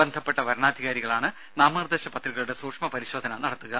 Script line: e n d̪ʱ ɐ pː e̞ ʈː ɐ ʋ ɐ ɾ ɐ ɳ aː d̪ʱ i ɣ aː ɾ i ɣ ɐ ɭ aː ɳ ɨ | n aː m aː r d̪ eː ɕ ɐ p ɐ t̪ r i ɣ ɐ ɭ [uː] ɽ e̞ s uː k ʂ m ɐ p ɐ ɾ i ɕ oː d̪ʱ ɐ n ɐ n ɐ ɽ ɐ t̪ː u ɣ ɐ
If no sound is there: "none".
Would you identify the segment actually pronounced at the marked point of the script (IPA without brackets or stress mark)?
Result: u